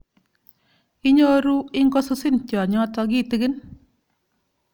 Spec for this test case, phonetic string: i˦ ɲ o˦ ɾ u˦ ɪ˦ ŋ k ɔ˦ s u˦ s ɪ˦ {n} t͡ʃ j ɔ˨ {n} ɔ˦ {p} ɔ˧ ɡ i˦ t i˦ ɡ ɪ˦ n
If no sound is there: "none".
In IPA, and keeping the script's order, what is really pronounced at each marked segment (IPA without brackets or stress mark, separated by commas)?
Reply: n, ɲ, t